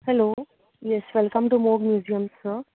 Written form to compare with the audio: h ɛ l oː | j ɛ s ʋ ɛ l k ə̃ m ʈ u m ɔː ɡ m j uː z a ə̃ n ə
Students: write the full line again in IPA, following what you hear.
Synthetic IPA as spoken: h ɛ l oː | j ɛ s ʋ ɛ l k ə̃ m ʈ u m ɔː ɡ m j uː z i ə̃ m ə

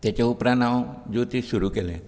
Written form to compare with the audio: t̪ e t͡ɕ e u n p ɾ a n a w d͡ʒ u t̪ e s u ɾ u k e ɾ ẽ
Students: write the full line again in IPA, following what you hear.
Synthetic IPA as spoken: t̪ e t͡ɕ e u p ɾ a n a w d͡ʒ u t̪ i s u ɾ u k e l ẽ

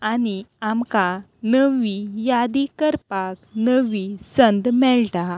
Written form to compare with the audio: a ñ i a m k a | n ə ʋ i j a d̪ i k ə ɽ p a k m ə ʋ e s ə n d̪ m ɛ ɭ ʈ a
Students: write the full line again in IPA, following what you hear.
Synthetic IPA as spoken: a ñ i a m k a | n ə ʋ i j a d̪ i k ə ɾ p a k n ə ʋ i s ə n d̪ m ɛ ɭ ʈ a

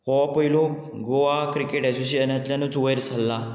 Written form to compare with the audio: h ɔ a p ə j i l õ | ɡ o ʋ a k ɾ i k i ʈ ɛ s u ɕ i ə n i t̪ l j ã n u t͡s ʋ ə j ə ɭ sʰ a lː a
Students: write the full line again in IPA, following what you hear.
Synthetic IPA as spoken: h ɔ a p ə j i l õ | ɡ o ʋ a k ɾ i k e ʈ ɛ s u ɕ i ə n a t̪ l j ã n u t͡s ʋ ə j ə ɾ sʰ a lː a

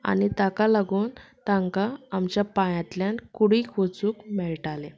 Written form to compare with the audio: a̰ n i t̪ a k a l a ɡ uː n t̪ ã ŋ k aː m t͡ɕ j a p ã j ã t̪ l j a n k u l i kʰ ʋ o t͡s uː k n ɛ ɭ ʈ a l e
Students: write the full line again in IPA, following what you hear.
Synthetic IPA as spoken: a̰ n i t̪ a k a l a ɡ uː n t̪ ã ŋ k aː m t͡ɕ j a p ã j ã t̪ l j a n k u ɽ i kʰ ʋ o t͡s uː k m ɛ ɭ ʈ a l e

